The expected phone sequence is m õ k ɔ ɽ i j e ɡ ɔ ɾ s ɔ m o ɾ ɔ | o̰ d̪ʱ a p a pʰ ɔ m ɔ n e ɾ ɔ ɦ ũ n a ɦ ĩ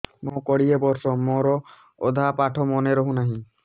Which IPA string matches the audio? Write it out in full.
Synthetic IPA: m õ k ɔ ɽ i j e b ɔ ɾ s ɔ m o ɾ ɔ | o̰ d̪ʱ a p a ʈʰ ɔ m ɔ n e ɾ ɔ ɦ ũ n a ɦ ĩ